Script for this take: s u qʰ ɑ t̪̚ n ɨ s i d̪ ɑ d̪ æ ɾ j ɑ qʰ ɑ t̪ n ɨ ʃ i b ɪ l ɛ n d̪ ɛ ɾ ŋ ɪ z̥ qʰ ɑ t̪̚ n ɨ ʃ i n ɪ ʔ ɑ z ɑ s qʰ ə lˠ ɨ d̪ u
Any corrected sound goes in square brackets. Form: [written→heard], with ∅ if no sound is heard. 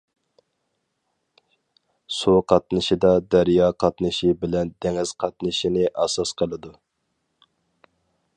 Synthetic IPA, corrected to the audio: s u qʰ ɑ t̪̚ n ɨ [s→ʃ] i d̪ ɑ d̪ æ ɾ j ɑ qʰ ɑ t̪ n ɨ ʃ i b ɪ l ɛ n d̪ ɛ [ɾ→∅] ŋ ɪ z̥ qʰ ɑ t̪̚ n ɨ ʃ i n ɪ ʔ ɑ [z→s] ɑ s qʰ ə lˠ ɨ d̪ u